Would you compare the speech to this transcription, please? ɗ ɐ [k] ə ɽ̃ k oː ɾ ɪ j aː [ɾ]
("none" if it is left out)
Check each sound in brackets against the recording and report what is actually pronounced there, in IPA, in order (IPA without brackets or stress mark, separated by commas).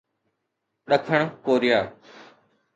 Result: kʰ, none